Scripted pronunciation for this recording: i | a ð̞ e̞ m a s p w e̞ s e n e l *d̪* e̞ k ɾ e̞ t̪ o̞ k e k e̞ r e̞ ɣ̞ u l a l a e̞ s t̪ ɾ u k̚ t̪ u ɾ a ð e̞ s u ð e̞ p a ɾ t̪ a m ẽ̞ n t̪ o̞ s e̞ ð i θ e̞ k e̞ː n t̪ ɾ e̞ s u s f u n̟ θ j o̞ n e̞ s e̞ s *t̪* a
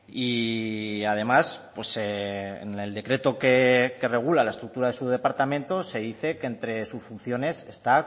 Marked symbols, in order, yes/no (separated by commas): yes, yes